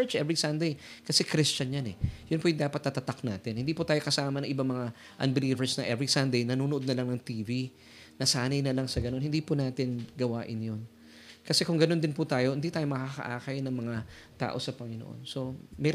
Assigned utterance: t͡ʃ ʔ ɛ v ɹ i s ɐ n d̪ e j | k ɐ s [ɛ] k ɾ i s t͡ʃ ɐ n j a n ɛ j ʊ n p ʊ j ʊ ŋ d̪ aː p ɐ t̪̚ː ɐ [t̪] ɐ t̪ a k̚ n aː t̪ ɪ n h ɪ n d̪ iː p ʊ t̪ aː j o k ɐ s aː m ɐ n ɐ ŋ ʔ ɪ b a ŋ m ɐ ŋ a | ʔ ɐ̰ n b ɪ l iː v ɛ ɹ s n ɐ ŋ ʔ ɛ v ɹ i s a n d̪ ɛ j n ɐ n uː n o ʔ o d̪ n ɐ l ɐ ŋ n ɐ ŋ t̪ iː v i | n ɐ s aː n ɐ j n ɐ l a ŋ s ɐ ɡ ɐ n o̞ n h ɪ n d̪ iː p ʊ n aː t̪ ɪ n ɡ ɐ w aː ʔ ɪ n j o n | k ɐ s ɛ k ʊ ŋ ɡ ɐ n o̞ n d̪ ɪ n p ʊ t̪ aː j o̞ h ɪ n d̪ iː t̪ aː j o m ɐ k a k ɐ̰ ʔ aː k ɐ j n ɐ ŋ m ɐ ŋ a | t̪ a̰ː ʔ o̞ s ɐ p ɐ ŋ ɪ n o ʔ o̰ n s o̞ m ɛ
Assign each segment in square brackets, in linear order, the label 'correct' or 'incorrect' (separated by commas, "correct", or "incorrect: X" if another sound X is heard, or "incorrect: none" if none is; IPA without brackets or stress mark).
correct, correct